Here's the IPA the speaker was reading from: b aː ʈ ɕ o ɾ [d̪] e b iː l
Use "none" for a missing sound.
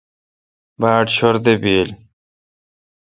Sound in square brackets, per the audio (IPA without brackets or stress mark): d̪